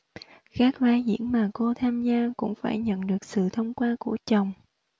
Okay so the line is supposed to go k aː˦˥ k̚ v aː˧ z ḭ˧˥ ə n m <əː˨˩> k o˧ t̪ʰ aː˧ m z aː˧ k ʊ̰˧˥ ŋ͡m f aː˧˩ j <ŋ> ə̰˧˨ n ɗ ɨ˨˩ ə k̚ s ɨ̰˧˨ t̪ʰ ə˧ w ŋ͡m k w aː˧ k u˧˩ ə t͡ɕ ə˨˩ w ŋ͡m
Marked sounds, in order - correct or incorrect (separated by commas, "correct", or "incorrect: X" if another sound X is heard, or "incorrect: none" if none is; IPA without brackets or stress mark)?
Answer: incorrect: aː˨˩, incorrect: ɲ